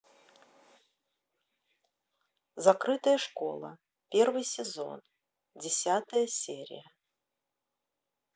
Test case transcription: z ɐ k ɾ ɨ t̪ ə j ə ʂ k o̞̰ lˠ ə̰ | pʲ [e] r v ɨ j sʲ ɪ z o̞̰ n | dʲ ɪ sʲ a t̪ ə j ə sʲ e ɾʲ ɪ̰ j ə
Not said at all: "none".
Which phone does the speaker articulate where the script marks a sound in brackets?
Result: e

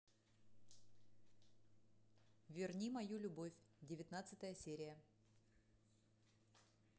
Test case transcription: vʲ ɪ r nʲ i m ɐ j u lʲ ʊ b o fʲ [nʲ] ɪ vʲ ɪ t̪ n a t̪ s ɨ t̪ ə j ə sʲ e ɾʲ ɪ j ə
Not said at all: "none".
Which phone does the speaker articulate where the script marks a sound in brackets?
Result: dʲ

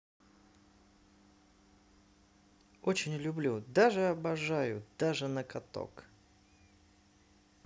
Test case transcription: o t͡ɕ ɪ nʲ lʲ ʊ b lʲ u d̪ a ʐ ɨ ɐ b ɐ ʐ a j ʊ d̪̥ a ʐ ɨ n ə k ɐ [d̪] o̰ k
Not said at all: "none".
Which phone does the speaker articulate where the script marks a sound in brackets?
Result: t̪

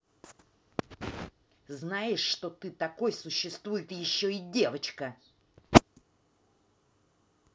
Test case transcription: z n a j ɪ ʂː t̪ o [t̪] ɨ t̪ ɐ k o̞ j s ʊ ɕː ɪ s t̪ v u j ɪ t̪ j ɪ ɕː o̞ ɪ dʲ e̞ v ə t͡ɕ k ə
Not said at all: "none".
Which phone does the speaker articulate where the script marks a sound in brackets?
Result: t̪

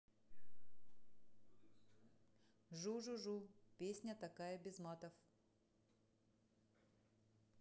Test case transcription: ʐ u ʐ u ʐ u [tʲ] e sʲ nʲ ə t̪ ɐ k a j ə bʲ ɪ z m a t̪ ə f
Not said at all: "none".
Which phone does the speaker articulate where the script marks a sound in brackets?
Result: pʲ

